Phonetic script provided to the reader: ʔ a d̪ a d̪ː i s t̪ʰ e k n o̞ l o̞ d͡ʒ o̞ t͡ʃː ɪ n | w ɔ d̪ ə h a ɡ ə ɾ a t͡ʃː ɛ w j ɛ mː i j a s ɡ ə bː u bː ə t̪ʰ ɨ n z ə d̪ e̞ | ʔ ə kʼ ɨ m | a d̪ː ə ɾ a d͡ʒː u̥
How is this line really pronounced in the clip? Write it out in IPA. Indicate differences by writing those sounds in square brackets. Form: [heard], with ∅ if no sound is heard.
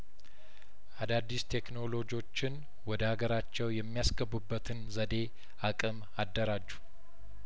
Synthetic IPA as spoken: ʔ a d̪ a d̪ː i s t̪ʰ e k n o̞ l o̞ d͡ʒ o̞ t͡ʃː ɪ n | w ɔ d̪ ə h a ɡ ə ɾ a t͡ʃː ɛ w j ɛ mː i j a s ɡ ə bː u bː ə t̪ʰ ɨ n z ə d̪ e̞ | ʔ [a] kʼ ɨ m | a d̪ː ə ɾ a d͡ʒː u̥